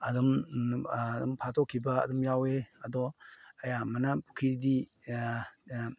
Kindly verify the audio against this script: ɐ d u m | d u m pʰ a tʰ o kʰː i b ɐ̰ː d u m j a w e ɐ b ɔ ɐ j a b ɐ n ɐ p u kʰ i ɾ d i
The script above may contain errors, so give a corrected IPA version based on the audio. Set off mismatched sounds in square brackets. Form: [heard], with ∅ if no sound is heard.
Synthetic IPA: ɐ d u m | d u m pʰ a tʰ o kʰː i b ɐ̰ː d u m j a w e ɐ [d] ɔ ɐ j a [m] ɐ n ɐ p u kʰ i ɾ d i